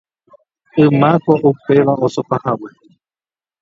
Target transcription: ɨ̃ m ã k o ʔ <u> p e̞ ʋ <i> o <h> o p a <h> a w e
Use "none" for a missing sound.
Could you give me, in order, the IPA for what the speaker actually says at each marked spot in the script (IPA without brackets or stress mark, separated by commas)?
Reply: u, a, s, h